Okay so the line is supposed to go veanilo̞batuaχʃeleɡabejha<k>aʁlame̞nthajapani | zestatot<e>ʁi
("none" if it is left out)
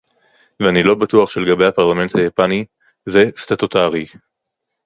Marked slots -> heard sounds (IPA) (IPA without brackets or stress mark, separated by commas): p, a